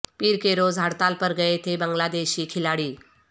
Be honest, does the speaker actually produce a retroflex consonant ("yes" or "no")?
yes